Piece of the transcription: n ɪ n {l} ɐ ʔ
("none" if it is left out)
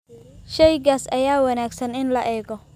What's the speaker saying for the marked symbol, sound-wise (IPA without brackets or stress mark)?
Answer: l